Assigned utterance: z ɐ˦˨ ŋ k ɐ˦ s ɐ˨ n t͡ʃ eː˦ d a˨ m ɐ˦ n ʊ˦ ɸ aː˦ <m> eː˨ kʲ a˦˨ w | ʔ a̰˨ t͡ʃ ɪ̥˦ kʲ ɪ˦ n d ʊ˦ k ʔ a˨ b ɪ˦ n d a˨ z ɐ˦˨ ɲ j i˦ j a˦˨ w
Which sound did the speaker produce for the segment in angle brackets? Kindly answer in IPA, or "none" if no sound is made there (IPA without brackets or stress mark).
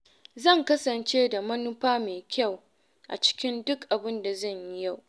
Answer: m